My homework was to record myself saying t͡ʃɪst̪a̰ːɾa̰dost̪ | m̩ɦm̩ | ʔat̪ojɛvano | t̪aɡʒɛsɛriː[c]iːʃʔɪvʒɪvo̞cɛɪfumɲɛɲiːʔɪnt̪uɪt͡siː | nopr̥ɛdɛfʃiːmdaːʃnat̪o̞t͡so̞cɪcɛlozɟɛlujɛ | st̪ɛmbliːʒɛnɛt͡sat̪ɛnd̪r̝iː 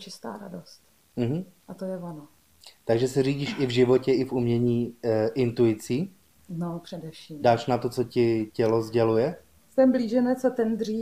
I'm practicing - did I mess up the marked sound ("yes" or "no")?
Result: yes